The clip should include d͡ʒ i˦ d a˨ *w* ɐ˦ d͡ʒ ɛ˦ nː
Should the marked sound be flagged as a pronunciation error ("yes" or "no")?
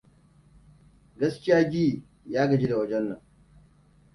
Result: no